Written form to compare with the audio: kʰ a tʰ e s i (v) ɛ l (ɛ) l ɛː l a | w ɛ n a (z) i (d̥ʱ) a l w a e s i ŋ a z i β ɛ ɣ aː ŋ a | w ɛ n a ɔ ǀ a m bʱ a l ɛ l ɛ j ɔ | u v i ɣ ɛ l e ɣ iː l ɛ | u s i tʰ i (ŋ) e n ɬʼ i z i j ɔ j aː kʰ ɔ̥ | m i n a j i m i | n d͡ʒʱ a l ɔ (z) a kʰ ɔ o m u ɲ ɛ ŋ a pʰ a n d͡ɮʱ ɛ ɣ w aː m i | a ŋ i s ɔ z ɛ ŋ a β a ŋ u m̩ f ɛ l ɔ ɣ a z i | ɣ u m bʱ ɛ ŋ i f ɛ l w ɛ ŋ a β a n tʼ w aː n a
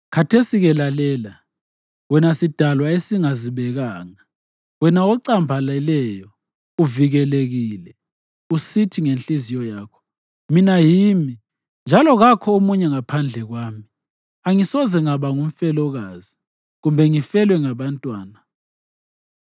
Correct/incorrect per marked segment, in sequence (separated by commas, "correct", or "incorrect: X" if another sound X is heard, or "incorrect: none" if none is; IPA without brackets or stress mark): incorrect: ɣ, incorrect: a, incorrect: s, correct, correct, incorrect: ɣ